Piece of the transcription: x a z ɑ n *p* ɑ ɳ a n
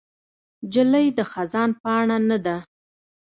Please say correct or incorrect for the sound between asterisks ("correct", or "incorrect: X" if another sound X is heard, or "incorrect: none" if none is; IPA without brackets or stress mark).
correct